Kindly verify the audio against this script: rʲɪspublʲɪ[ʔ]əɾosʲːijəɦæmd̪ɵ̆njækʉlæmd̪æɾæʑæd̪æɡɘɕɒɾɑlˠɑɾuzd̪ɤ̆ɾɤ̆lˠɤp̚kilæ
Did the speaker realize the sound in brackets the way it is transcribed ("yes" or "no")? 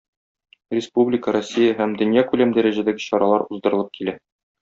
no